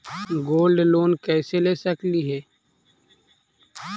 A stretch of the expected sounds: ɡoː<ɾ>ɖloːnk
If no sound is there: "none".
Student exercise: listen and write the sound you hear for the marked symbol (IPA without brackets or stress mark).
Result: l